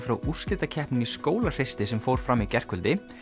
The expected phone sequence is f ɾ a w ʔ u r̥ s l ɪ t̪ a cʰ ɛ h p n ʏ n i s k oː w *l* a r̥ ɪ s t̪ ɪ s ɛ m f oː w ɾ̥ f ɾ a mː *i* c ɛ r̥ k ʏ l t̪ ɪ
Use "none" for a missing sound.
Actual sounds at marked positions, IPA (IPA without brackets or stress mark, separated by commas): l, i